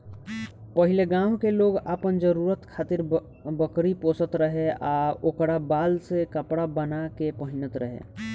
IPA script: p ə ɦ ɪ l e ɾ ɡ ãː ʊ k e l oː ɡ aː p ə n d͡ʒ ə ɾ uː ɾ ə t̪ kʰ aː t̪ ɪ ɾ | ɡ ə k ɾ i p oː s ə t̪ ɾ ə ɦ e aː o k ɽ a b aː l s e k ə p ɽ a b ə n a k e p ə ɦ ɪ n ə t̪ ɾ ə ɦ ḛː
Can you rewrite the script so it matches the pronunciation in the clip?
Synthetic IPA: p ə ɦ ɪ l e ɡ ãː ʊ k e l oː ɡ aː p ə n d͡ʒ ə ɾ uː ɾ ə t̪ kʰ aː t̪ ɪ ɾ | b ə k ɾ i p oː s ə t̪ ɾ ə ɦ e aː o k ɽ a b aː l s e k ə p ɽ a b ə n a k e p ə ɦ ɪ n ə t̪ ɾ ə ɦ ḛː

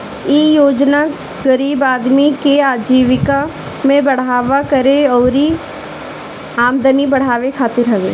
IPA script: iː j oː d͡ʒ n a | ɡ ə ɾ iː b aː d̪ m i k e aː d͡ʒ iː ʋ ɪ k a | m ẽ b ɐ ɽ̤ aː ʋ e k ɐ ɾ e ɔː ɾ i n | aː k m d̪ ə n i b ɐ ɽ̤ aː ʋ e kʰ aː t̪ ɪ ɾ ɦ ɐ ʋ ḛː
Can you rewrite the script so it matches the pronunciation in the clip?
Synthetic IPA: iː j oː d͡ʒ n a | ɡ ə ɾ iː b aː d̪ m i k e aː d͡ʒ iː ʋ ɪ k a | m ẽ b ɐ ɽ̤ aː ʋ a k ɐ ɾ e ɔː ɾ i | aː m d̪ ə n i b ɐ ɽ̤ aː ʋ e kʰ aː t̪ ɪ ɾ ɦ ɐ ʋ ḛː

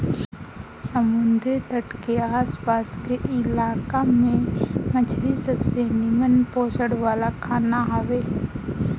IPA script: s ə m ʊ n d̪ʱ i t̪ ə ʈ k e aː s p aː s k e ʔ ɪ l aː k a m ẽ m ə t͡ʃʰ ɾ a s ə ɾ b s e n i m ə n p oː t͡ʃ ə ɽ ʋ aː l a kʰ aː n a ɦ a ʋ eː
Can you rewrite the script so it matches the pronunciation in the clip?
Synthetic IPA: s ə m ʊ n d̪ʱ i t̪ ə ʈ k e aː s p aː s k e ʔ ɪ l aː k a m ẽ m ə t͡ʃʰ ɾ i s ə b s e n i m ə n p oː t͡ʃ ə ɽ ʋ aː l a kʰ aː n a ɦ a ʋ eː

